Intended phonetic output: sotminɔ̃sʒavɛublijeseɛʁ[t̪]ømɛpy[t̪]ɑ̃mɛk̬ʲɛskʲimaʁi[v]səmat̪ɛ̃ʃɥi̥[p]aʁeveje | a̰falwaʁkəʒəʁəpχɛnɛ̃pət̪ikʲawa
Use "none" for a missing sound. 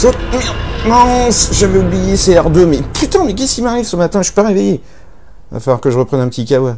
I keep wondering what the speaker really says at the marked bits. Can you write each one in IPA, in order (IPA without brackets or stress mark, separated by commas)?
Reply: d̪, t̪, v, p